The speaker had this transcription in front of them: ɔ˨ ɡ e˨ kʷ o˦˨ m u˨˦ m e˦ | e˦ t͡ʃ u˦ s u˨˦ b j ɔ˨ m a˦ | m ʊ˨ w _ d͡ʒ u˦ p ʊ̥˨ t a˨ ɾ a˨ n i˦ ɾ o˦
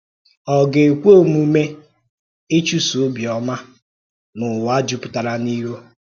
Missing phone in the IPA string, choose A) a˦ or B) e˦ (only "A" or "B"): A